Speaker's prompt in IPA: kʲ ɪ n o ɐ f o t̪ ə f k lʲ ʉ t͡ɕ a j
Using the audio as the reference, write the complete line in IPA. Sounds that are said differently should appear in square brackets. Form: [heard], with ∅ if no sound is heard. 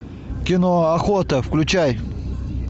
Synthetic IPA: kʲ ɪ n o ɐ [x] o t̪ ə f k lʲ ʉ t͡ɕ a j

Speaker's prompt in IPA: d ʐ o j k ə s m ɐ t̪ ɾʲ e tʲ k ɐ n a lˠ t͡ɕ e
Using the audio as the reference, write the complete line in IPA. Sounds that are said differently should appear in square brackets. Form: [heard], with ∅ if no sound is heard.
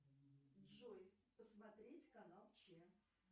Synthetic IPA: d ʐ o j [p] ə s m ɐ t̪ ɾʲ e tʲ k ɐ n a lˠ t͡ɕ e

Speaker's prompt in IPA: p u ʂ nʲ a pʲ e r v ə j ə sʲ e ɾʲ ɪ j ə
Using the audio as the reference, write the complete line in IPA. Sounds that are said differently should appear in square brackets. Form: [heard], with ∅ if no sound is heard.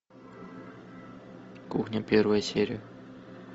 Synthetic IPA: [k] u [x] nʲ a pʲ e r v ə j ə sʲ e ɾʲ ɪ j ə

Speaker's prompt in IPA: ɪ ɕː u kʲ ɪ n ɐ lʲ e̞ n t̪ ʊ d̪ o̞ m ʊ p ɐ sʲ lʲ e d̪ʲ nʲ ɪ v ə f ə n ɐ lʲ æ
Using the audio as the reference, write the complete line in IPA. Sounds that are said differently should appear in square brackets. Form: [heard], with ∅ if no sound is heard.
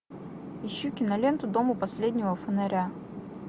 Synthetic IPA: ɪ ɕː u kʲ ɪ n ɐ lʲ e̞ n t̪ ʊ d̪ o̞ m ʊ p ɐ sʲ lʲ e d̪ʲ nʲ ɪ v ə f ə n ɐ [ɾʲ] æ

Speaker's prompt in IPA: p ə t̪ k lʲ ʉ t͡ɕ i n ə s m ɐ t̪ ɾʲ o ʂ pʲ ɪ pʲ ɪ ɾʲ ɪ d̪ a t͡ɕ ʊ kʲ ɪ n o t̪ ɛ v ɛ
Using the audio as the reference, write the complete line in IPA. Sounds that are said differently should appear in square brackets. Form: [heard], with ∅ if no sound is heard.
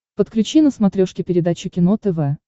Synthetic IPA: p ə t̪ k lʲ ʉ t͡ɕ i n ə s m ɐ t̪ ɾʲ o ʂ [kʲ] ɪ pʲ ɪ ɾʲ ɪ d̪ a t͡ɕ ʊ kʲ ɪ n o t̪ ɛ v ɛ

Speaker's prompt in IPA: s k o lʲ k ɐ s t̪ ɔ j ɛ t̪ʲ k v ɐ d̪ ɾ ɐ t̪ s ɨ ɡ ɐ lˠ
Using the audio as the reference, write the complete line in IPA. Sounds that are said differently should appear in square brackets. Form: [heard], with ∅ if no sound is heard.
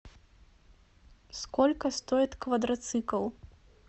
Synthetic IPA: s k [ɔ] lʲ k ɐ s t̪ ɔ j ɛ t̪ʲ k v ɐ d̪ ɾ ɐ t̪ s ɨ [k] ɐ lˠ

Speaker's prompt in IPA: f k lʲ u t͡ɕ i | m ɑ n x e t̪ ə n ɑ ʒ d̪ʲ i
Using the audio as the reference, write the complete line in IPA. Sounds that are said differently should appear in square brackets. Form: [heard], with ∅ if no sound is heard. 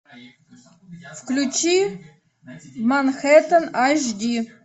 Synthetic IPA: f k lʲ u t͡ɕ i | m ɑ n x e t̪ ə n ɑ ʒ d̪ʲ i

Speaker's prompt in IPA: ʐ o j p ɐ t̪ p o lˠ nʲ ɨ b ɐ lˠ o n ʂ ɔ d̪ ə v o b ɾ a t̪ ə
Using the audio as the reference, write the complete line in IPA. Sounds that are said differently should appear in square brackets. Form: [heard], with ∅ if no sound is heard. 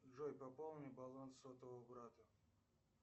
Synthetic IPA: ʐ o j p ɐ [∅] p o lˠ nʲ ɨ b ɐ lˠ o n [s] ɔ [t̪] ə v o b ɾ a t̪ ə

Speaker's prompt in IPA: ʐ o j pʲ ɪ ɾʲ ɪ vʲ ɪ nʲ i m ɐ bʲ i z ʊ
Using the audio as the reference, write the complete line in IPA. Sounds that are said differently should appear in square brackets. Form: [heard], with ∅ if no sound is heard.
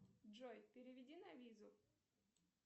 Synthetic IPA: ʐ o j pʲ ɪ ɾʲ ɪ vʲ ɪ [dʲ] i [n] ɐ [vʲ] i z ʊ

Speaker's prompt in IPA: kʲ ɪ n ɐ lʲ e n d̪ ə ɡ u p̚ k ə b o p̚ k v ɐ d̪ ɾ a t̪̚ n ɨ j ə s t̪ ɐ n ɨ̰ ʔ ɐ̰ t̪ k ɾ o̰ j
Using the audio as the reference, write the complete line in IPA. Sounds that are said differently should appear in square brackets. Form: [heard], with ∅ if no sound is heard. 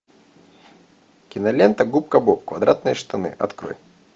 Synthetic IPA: kʲ ɪ n ɐ lʲ e n [t̪] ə ɡ u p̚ k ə b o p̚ k v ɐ d̪ ɾ a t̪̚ n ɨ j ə [ʂ] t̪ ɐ n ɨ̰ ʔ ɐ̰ t̪ k ɾ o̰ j

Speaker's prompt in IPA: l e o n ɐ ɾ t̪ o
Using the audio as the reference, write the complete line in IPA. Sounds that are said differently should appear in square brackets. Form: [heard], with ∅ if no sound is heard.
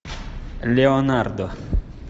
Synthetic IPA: l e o n [a] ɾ [d̪] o

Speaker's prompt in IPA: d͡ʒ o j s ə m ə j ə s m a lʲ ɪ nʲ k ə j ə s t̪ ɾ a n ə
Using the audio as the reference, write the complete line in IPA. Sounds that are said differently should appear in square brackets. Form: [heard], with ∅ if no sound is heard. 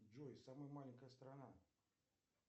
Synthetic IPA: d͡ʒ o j s [a] m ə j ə [∅] m a lʲ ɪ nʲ k ə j ə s t̪ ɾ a n [a]

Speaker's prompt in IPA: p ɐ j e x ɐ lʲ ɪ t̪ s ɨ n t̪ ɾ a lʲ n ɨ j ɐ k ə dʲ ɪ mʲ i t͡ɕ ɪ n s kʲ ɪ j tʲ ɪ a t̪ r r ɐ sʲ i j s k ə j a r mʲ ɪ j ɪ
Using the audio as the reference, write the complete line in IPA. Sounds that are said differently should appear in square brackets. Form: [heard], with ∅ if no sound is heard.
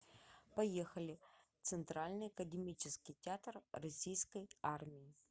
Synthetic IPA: p ɐ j e x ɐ lʲ ɪ t̪ s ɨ n t̪ ɾ a lʲ n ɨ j ɐ k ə dʲ ɪ mʲ i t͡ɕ ɪ [∅] s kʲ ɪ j tʲ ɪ a t̪ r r ɐ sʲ i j s k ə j a r mʲ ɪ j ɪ

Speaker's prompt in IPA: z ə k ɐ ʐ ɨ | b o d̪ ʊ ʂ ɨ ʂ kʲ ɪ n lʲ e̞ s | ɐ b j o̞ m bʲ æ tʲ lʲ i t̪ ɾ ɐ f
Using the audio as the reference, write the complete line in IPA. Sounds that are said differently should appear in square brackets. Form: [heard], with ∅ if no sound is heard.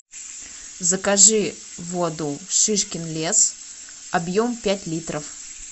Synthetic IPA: z ə k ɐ ʐ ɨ | [v] o d̪ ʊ ʂ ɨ ʂ kʲ ɪ n lʲ e̞ s | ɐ b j o̞ m [pʲ] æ tʲ lʲ i t̪ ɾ [ə] f

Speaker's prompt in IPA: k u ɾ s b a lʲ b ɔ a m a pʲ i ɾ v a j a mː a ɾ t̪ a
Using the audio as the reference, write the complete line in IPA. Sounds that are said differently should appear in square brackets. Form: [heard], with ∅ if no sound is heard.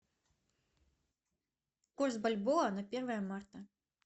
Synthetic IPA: k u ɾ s b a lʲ b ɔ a [n] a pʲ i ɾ v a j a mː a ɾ t̪ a

